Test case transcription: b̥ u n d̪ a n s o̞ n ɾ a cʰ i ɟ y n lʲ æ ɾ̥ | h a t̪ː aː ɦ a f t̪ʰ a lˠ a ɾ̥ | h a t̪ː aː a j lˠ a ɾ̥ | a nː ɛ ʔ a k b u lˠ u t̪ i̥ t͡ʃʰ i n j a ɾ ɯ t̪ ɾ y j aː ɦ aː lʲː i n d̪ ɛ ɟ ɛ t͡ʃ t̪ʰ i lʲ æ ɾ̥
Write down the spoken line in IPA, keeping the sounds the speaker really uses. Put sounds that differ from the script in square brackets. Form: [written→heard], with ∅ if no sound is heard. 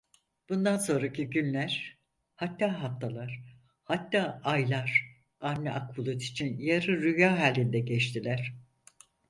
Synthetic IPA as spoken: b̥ u n d̪ a n s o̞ n ɾ a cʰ i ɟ y n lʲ æ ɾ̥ | h a t̪ː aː ɦ a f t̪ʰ a lˠ a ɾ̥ | h a t̪ː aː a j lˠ a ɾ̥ | a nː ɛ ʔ a k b u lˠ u t̪ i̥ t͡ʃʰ i n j a ɾ ɯ [t̪→∅] ɾ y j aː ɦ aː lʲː i n d̪ ɛ ɟ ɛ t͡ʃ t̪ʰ i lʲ æ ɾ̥